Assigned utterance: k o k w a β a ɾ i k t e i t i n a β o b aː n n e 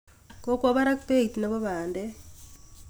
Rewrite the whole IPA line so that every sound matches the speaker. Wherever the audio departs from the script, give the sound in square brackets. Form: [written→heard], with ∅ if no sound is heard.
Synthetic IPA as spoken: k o k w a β a ɾ [i→a] k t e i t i n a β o [b→β] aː n [n→d] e